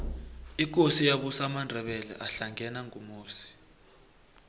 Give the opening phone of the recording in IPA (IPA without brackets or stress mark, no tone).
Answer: i